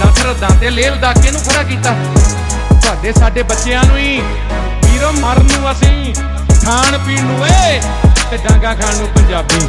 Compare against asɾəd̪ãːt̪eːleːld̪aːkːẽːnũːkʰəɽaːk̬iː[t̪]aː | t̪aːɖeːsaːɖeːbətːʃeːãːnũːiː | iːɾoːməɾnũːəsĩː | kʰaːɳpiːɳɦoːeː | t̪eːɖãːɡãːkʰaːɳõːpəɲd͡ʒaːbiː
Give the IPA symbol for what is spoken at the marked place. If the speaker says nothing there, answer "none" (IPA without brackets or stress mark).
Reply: t̪